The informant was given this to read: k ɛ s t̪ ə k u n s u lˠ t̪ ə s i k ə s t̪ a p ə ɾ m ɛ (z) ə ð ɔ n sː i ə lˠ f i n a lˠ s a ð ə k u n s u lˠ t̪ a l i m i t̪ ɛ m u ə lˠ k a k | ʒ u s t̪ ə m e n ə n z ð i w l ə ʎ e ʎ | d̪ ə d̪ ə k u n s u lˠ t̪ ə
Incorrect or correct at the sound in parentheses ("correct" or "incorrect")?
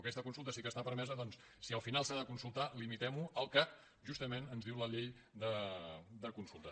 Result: correct